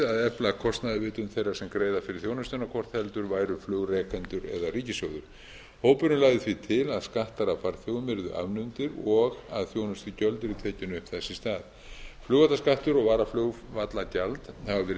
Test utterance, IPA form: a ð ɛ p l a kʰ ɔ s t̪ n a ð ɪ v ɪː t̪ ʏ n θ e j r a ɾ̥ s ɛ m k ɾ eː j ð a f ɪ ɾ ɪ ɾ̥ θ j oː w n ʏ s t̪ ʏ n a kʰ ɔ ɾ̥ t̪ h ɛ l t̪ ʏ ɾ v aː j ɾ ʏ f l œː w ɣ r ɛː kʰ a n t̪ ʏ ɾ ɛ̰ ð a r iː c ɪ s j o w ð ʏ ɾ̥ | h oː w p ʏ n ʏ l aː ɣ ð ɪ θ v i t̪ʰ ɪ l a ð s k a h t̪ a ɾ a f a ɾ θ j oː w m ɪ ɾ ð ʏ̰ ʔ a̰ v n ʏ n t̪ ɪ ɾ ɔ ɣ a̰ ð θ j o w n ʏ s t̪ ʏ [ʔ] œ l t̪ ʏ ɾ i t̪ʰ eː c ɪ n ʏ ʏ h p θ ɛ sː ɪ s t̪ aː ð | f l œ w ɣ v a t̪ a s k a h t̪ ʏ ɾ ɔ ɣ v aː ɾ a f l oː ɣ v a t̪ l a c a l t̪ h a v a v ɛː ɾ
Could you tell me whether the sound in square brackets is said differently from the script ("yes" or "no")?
yes